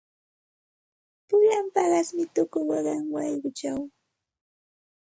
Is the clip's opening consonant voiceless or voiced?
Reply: voiceless